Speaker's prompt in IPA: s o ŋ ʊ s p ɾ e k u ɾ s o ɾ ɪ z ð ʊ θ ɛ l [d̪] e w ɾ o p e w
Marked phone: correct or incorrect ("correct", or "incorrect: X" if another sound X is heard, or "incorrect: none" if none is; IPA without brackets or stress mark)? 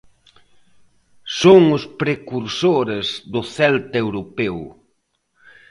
incorrect: t̪